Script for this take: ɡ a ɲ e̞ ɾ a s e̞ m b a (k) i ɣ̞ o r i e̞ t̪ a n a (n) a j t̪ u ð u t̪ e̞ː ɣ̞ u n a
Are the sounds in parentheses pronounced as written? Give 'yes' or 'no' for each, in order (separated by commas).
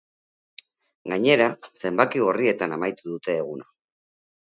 yes, no